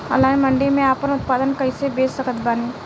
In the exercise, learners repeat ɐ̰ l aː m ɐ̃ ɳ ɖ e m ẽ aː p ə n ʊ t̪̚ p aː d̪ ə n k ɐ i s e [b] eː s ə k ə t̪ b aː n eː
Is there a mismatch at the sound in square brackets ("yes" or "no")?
no